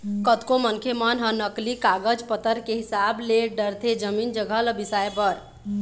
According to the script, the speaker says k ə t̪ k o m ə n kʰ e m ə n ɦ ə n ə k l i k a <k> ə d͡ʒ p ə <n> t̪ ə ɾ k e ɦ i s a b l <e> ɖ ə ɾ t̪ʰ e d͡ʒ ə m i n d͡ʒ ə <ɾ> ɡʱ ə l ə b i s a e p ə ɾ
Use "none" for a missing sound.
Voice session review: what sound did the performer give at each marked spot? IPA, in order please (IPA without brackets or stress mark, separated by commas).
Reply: ɡ, none, e, none